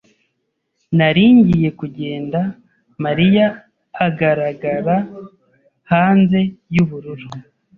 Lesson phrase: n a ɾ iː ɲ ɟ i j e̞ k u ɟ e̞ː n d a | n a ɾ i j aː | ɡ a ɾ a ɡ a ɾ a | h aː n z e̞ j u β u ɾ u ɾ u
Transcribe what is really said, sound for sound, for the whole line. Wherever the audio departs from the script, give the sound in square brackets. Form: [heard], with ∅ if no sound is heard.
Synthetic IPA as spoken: n a ɾ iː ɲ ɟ i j e̞ k u ɟ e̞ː n d a | [m] a ɾ i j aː | ɡ a ɾ a ɡ a ɾ a | h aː n z e̞ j u β u ɾ u ɾ u